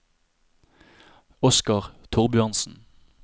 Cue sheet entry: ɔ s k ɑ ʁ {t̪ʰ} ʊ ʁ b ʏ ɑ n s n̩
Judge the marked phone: correct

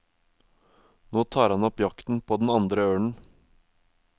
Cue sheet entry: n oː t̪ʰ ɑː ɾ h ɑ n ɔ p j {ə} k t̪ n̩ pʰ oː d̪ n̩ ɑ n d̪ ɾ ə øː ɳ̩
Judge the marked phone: incorrect: ɑ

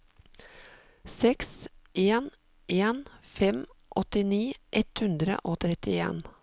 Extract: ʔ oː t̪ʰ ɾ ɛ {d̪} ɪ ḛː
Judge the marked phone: incorrect: t̪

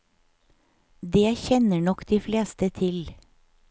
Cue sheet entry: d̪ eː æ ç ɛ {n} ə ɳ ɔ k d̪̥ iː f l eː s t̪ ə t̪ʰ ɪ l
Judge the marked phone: correct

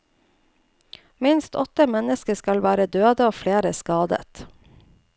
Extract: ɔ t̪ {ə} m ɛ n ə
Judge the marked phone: correct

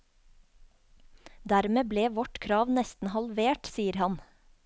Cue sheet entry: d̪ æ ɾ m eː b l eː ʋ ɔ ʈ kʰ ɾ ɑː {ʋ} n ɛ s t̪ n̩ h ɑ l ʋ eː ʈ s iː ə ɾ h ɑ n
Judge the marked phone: correct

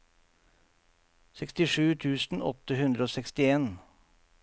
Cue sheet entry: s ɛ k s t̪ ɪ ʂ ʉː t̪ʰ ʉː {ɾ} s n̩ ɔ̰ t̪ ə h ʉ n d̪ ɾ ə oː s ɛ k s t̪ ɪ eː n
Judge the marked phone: incorrect: none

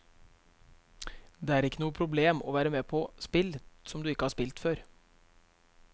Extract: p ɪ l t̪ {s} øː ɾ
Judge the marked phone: incorrect: f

